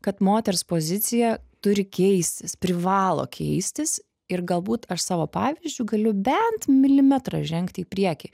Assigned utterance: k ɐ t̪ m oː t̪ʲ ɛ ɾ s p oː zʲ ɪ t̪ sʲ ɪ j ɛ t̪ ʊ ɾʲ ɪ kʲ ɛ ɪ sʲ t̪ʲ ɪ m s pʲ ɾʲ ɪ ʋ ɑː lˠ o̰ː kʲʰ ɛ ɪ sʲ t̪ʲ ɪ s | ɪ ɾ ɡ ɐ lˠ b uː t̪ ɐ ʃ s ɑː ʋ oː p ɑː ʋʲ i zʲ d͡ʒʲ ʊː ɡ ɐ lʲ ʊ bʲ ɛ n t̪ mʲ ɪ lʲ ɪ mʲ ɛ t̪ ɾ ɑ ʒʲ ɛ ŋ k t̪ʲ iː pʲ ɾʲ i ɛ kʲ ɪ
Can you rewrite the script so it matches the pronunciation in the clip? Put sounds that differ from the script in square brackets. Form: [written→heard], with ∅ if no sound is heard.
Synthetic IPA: k ɐ t̪ m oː t̪ʲ ɛ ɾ s p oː zʲ ɪ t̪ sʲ ɪ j ɛ t̪ ʊ ɾʲ ɪ kʲ ɛ ɪ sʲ t̪ʲ ɪ [m→∅] s pʲ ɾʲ ɪ ʋ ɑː lˠ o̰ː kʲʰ ɛ ɪ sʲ t̪ʲ ɪ s | ɪ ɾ ɡ ɐ lˠ b uː t̪ ɐ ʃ s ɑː ʋ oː p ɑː ʋʲ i zʲ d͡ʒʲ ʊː ɡ ɐ lʲ ʊ bʲ ɛ n t̪ mʲ ɪ lʲ ɪ mʲ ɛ t̪ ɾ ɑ ʒʲ ɛ ŋ k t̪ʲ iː pʲ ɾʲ i ɛ kʲ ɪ